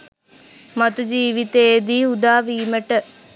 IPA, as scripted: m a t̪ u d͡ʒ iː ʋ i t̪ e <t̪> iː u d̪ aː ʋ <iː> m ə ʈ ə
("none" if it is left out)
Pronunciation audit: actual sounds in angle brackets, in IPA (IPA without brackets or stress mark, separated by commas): d̪, iː